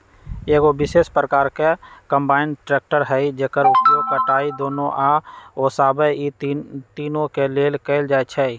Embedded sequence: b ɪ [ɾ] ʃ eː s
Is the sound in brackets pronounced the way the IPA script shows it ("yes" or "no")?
no